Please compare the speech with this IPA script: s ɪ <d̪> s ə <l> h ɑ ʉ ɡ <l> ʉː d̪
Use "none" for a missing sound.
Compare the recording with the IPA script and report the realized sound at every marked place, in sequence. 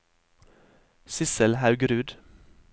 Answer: none, l, ɾ

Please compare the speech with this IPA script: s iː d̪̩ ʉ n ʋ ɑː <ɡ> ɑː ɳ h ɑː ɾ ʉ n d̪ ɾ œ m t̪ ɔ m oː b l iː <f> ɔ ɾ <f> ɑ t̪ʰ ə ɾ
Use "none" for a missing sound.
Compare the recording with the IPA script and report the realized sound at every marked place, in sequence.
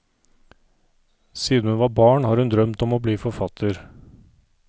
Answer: b, f, f

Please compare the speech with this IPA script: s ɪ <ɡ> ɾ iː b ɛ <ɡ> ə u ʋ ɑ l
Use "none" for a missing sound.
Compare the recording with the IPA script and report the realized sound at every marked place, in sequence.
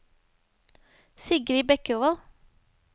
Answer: ɡ, k

